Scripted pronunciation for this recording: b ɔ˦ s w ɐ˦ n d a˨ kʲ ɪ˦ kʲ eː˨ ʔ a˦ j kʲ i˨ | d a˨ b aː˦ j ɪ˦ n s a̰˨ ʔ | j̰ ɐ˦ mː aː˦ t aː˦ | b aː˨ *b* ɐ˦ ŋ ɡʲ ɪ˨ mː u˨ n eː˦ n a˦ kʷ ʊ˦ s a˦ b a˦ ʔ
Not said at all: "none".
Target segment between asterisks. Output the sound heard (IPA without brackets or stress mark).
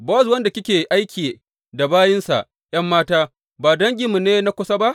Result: d